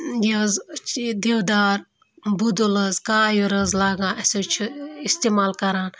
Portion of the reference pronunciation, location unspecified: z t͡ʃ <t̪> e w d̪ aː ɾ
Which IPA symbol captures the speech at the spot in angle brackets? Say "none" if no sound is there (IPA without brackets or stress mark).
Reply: d̪